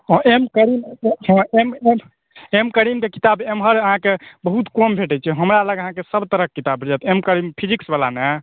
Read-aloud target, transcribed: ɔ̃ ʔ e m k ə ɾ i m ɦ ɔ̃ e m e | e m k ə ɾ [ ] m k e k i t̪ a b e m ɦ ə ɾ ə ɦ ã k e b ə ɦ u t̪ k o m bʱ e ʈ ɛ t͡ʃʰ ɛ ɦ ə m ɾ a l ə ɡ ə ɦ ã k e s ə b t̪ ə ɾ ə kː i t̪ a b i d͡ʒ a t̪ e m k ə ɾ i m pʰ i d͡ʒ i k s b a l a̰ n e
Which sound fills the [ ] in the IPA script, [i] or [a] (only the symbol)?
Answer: i